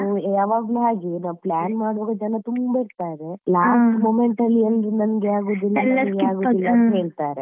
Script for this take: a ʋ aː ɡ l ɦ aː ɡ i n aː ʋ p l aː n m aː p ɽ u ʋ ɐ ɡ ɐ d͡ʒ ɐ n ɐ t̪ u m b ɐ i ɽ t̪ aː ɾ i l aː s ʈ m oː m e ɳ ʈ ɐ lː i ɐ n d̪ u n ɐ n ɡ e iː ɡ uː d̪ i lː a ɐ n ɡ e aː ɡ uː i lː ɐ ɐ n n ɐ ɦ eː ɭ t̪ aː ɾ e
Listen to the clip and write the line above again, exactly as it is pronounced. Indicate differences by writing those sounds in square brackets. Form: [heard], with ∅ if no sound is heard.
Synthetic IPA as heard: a ʋ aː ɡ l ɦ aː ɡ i n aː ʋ p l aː n m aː [∅] ɽ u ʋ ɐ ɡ ɐ d͡ʒ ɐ n ɐ t̪ u m b ɐ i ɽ t̪ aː ɾ [e] l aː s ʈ m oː m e ɳ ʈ ɐ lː i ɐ n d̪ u n ɐ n ɡ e [aː] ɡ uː d̪ i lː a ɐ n ɡ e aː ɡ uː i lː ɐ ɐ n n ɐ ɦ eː ɭ t̪ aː ɾ e